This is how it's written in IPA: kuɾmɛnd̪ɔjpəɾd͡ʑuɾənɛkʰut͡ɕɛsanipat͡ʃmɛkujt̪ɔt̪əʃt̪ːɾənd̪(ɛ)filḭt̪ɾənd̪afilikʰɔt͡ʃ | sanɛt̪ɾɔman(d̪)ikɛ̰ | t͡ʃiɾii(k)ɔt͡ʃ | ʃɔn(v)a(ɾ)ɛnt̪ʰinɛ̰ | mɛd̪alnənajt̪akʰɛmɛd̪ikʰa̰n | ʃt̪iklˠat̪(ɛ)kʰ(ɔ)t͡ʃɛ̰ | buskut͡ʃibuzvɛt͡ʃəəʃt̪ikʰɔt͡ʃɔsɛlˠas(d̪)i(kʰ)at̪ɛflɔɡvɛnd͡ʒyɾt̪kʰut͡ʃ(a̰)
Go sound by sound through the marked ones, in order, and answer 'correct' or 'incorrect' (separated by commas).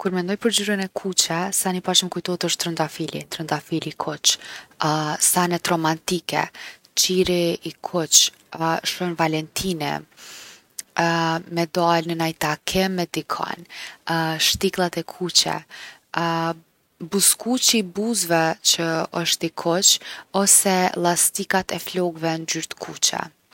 incorrect, incorrect, incorrect, correct, incorrect, correct, incorrect, incorrect, incorrect, incorrect